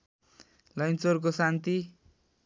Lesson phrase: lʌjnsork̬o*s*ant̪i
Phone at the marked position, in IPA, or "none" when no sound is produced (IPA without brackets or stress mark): s